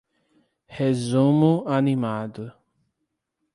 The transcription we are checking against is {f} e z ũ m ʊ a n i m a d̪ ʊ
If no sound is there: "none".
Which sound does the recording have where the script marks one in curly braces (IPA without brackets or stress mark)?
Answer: h